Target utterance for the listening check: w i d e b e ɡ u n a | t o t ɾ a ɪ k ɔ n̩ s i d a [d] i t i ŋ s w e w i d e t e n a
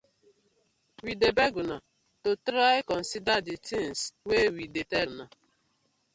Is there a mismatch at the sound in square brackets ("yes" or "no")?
no